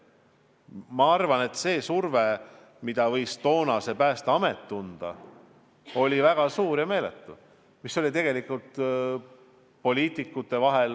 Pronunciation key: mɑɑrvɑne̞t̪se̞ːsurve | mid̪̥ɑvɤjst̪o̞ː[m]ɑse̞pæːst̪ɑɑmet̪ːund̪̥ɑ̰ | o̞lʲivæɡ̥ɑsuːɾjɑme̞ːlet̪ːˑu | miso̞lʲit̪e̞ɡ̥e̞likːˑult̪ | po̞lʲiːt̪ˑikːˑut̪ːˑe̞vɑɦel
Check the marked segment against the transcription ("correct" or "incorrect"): incorrect